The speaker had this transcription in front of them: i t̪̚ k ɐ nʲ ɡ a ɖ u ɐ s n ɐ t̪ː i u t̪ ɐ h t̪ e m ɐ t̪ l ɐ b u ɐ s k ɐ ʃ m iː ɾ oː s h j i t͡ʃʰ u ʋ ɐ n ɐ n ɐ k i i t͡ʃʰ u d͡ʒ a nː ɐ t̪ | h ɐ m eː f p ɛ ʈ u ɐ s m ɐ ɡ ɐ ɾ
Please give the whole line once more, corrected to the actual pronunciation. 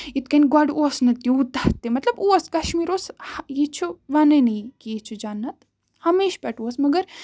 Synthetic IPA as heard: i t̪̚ k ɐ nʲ ɡ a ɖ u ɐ s n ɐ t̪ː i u t̪ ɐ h t̪ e m ɐ t̪ l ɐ b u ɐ s k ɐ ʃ m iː ɾ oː s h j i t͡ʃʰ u ʋ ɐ n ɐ n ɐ k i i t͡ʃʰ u d͡ʒ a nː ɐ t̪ | h ɐ m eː ʃ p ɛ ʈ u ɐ s m ɐ ɡ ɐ ɾ